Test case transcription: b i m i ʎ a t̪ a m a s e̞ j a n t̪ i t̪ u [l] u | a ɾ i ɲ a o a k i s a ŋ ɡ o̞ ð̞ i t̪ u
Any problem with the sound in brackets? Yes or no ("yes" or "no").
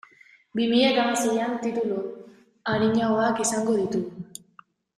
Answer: no